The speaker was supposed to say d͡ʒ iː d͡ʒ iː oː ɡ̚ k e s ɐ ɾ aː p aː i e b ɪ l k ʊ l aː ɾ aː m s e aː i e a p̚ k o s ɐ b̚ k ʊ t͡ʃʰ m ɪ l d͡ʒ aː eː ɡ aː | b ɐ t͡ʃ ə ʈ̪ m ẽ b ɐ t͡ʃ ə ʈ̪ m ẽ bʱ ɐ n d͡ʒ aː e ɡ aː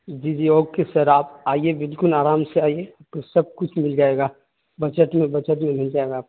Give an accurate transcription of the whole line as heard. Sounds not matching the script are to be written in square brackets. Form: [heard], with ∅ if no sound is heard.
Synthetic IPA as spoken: d͡ʒ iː d͡ʒ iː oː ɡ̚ k e s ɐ ɾ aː p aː i e b ɪ l k ʊ l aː ɾ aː m s e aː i e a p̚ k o s ɐ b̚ k ʊ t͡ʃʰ m ɪ l d͡ʒ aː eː ɡ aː | b ɐ t͡ʃ ə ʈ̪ m ẽ b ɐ t͡ʃ ə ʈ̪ m ẽ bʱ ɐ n d͡ʒ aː e ɡ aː